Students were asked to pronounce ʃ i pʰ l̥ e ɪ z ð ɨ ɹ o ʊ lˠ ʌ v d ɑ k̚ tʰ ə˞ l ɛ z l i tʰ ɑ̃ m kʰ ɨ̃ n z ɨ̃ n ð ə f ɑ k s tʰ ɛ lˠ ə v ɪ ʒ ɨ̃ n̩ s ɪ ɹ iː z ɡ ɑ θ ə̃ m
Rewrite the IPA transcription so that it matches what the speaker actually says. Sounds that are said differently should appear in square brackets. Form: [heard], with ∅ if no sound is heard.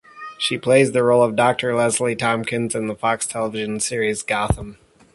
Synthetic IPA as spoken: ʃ i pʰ l̥ e ɪ z ð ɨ ɹ o ʊ lˠ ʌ v d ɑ k̚ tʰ ə˞ l ɛ z l i tʰ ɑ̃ m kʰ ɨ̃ n z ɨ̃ n ð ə f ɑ k s tʰ ɛ lˠ ə v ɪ ʒ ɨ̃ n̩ s ɪ ɹ [i] z ɡ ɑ θ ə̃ m